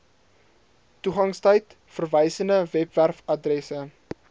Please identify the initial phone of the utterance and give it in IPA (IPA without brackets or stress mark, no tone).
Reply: t